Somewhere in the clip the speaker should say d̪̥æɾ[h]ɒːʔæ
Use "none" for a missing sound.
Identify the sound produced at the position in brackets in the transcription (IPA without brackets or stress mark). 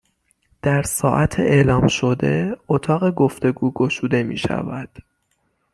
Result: s